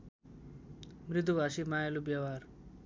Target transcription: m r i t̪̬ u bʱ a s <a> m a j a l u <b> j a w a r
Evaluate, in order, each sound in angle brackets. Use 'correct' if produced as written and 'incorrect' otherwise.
incorrect: i, correct

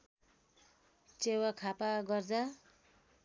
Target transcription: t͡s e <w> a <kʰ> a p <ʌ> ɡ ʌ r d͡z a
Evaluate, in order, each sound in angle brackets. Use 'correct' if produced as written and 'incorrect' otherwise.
correct, correct, incorrect: a

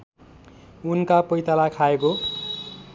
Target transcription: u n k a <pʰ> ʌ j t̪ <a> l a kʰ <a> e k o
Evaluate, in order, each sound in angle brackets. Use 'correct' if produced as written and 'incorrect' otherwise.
incorrect: p, correct, correct

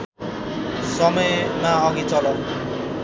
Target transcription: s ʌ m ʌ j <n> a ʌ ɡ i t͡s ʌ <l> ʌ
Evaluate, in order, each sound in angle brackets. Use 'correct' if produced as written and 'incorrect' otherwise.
incorrect: m, correct

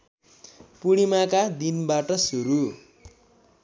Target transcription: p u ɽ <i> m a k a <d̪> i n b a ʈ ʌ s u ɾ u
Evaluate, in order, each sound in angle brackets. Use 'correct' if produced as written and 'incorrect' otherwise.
correct, correct

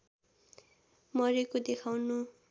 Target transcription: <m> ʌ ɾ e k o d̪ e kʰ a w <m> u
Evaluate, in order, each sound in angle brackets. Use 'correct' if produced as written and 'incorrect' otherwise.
correct, incorrect: n

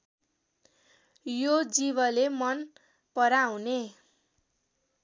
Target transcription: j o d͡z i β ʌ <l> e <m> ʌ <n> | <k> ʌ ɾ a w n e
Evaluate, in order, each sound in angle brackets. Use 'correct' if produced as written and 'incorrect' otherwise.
correct, correct, correct, incorrect: p

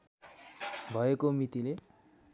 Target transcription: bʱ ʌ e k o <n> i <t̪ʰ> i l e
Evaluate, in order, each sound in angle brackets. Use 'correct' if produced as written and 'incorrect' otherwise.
incorrect: m, incorrect: t̪

